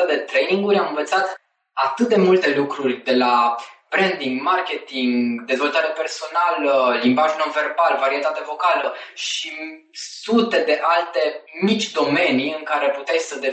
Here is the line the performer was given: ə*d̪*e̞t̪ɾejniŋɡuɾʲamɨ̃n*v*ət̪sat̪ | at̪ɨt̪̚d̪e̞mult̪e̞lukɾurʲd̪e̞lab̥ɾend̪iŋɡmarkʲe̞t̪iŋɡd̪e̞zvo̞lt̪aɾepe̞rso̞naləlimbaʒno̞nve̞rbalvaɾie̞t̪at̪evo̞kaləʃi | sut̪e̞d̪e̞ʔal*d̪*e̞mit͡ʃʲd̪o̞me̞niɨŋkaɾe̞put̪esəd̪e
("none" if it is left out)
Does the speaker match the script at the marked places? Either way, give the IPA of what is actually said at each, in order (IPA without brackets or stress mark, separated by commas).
d̪, v, t̪